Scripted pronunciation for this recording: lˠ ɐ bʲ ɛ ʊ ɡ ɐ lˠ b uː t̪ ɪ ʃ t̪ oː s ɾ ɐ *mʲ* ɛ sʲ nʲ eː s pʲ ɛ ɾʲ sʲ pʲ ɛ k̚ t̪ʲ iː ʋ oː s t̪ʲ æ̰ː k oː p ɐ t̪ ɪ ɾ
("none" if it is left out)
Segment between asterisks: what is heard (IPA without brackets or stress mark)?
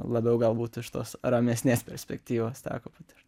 mʲ